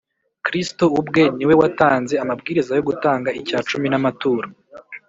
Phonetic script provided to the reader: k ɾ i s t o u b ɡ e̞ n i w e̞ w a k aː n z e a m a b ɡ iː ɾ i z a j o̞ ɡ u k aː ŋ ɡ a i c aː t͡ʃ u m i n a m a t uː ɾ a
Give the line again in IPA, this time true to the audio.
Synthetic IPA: k ɾ i s t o u b ɡ e̞ n i w e̞ w a t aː n z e a m a b ɡ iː ɾ i z a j o̞ ɡ u t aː ŋ ɡ a i c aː t͡ʃ u m i n a m a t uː ɾ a